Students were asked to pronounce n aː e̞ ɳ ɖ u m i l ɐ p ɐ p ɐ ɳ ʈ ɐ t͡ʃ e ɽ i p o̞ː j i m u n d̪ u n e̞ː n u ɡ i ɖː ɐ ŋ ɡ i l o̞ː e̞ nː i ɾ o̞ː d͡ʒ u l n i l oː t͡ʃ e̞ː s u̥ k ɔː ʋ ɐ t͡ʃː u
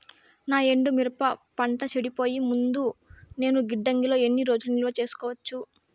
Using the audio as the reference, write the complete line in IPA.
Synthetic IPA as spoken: n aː e̞ ɳ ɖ u m i ɾ ɐ p ɐ p ɐ ɳ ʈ ɐ t͡ʃ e ɽ i p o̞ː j i m u n d̪ u n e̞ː n u ɡ i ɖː ɐ ŋ ɡ i l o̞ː e̞ nː i ɾ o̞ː d͡ʒ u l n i l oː t͡ʃ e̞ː s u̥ k ɔː ʋ ɐ t͡ʃː u